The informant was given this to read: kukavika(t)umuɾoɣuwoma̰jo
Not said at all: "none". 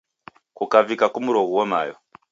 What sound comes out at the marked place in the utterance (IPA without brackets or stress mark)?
k